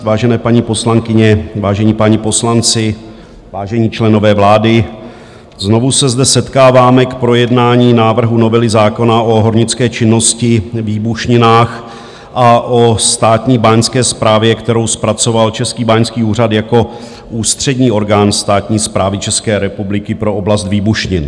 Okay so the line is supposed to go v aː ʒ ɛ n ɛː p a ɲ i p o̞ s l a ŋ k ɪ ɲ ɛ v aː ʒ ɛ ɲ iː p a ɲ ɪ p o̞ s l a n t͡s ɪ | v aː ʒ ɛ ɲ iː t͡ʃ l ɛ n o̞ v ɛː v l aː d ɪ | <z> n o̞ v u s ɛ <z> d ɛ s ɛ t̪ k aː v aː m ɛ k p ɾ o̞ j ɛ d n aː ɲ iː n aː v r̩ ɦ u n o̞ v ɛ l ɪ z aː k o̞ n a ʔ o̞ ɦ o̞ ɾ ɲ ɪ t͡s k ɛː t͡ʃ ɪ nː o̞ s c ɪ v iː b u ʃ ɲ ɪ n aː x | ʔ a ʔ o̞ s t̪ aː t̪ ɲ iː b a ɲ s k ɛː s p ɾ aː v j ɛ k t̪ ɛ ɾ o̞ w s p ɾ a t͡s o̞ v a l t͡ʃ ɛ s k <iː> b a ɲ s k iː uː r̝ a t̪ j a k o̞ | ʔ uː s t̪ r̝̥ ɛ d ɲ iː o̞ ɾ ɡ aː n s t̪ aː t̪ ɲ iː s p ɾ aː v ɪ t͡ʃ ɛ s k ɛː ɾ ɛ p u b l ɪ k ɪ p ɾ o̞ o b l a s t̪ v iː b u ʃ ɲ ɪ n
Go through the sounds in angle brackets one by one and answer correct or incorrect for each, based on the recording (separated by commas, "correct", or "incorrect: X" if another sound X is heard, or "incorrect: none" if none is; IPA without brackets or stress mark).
correct, correct, correct